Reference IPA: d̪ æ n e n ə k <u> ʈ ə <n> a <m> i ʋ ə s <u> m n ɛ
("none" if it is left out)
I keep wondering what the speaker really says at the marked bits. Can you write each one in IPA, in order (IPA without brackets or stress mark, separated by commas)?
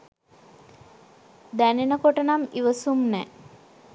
o, n, m, u